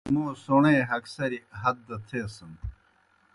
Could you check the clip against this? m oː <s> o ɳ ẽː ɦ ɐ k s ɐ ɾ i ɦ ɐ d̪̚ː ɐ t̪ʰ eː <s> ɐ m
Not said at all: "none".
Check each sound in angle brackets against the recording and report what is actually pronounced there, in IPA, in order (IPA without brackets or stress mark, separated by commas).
s, s